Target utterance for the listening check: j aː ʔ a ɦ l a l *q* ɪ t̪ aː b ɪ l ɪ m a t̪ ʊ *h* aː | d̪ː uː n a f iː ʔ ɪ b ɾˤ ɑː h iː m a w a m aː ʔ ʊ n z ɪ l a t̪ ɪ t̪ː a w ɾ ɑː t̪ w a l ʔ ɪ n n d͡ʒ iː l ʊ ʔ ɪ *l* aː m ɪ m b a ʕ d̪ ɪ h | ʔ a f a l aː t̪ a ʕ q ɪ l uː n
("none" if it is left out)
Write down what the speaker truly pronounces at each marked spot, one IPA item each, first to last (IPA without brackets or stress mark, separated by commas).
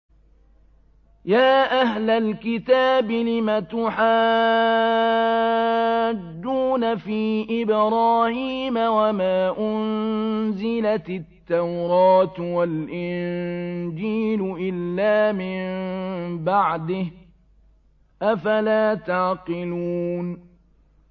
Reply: k, ħ, lː